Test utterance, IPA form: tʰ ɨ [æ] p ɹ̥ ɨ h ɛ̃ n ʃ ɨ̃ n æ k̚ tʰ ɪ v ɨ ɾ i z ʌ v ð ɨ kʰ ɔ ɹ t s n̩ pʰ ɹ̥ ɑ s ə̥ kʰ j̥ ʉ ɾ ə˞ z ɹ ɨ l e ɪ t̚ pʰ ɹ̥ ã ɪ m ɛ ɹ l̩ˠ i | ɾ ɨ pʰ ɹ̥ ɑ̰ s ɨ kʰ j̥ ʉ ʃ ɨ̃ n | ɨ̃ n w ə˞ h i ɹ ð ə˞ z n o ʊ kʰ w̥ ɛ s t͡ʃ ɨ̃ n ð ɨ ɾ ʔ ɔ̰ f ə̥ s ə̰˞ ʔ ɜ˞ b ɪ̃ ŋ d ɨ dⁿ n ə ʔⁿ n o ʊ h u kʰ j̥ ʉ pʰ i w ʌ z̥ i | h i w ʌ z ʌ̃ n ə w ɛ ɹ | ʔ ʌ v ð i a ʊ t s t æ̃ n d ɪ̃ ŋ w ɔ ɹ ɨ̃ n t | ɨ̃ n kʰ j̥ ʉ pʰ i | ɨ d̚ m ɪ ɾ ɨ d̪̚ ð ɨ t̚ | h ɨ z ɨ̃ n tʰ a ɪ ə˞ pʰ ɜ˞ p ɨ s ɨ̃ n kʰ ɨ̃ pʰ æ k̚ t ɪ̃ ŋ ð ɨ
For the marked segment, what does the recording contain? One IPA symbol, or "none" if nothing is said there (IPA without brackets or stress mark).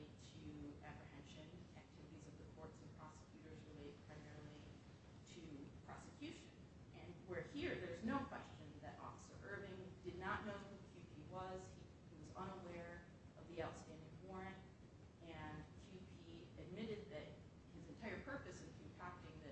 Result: æ